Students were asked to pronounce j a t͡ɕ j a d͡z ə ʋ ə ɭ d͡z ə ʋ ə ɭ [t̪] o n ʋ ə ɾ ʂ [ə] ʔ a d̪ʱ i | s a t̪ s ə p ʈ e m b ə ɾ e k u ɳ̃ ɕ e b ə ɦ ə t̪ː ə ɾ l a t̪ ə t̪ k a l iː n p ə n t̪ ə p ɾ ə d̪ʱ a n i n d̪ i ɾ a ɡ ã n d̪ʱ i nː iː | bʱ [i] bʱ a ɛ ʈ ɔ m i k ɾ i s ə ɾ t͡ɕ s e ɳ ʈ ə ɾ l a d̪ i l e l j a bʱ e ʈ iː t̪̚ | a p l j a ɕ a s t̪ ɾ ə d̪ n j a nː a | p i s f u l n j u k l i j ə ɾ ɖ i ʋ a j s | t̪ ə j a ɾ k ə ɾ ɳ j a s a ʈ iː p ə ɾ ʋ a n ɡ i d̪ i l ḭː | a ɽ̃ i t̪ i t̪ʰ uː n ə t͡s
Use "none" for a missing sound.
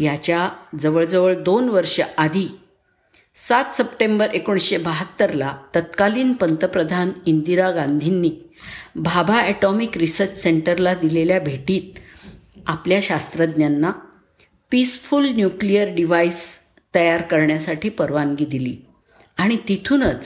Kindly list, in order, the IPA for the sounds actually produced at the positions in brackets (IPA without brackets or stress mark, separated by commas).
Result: d̪, ə, a